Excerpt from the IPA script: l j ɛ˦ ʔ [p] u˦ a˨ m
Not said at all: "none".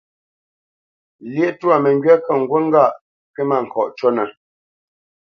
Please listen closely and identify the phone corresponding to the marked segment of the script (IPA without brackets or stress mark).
t